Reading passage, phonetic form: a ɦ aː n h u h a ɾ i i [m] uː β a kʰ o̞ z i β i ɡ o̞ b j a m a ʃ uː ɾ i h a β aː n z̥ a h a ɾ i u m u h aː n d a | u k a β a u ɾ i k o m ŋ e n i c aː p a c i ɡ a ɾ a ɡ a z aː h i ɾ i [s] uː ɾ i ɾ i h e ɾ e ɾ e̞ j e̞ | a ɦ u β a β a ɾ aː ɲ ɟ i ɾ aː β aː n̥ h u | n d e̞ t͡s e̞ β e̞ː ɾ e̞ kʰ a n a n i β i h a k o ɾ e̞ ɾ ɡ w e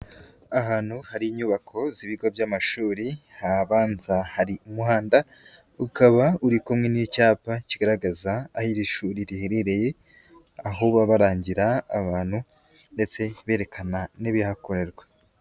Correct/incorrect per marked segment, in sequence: incorrect, incorrect

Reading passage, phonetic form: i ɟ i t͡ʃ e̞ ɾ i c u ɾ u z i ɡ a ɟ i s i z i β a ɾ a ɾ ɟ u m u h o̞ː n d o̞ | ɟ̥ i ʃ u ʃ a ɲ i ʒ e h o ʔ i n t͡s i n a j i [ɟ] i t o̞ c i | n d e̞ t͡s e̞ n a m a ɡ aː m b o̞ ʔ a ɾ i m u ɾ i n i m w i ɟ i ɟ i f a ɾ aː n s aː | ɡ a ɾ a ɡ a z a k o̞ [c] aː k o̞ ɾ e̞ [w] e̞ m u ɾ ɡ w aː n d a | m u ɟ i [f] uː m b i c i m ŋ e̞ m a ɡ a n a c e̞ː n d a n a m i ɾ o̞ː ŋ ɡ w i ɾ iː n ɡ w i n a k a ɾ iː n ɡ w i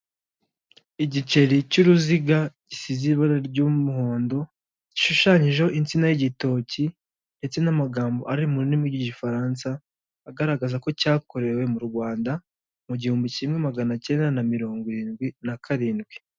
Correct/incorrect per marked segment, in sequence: correct, correct, correct, incorrect

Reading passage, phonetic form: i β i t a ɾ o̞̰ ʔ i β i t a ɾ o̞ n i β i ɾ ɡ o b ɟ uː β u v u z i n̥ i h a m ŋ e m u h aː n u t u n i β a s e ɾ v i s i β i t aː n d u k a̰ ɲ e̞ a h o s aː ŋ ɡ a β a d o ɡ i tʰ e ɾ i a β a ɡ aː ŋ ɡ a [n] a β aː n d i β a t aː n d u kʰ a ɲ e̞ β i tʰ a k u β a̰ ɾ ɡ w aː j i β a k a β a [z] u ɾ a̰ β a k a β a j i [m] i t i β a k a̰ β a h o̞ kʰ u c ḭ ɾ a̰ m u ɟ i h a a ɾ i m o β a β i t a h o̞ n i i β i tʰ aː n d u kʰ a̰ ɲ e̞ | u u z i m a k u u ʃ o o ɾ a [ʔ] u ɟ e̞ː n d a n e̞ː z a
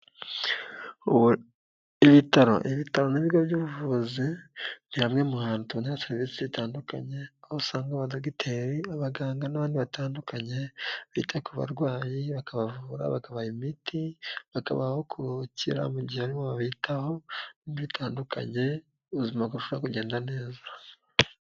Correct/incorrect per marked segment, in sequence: correct, incorrect, correct, incorrect

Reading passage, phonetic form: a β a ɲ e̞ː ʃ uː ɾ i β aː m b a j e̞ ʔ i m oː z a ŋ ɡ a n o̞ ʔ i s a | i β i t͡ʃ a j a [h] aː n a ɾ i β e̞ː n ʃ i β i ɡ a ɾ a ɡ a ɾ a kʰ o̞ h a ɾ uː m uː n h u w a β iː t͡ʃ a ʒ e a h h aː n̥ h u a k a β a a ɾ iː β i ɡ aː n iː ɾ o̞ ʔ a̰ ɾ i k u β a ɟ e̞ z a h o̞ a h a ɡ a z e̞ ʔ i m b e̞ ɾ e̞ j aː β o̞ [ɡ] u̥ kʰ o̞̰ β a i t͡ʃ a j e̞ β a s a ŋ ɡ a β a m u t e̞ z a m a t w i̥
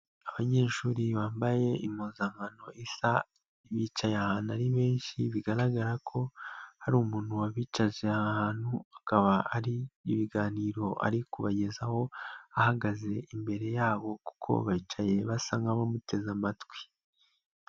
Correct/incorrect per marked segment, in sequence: correct, incorrect

